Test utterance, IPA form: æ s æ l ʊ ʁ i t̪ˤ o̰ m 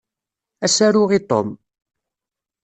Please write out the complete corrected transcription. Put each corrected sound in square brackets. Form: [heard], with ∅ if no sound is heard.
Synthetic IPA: æ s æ [ɾ] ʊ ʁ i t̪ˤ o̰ m